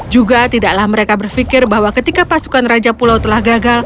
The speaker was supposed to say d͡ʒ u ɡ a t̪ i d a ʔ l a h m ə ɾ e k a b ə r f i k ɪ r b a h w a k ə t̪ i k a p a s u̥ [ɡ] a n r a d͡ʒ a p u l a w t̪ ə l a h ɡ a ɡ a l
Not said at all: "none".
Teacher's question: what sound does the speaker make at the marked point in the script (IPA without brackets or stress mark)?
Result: k